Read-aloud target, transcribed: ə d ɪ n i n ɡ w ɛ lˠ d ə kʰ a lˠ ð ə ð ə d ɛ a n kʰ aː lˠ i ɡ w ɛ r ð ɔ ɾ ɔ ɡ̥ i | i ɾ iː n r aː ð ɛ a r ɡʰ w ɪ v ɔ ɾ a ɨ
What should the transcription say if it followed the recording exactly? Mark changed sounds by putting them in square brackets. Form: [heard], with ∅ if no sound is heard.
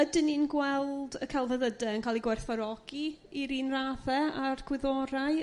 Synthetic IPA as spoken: ə d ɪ n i n ɡ w ɛ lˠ d ə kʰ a lˠ [v] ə ð ə d ɛ [ə] n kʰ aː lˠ i ɡ w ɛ r [θ] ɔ ɾ ɔ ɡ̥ i | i ɾ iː n r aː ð ɛ a r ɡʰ w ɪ [ð] ɔ ɾ a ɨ